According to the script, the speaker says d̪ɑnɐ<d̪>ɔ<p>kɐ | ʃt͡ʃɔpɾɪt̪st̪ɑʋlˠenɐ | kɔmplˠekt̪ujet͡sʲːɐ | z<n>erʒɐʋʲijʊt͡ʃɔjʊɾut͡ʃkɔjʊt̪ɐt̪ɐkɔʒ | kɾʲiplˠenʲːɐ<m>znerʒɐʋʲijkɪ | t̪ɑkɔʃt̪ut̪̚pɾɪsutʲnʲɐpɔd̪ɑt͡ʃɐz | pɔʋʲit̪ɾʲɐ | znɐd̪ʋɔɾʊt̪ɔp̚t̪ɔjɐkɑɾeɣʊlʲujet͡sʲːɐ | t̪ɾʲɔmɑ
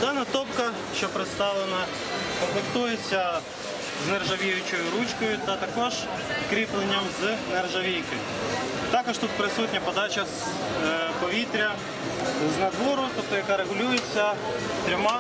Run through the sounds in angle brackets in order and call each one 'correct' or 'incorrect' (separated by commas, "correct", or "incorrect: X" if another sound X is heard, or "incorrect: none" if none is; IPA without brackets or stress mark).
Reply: incorrect: t̪, correct, correct, correct